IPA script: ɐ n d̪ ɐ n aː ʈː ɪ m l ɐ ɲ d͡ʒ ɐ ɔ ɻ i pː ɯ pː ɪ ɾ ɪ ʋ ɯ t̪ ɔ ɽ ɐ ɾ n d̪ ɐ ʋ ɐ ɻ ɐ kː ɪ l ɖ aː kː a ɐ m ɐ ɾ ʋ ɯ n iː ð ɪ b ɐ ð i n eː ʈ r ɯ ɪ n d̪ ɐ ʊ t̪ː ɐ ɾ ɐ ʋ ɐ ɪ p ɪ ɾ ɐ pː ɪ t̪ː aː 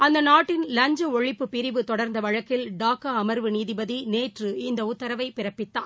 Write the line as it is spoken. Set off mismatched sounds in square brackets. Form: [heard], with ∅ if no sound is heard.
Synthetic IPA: ɐ n d̪ ɐ n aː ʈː ɪ [n] l ɐ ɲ d͡ʒ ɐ ɔ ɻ [ɪ] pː ɯ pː ɪ ɾ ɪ ʋ ɯ t̪ ɔ ɽ ɐ ɾ n d̪ ɐ ʋ ɐ ɻ ɐ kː ɪ l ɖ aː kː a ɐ m ɐ ɾ ʋ ɯ n iː ð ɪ b ɐ ð i n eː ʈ r ɯ ɪ n d̪ ɐ ʊ t̪ː ɐ ɾ ɐ ʋ ɐ ɪ p ɪ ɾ ɐ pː ɪ t̪ː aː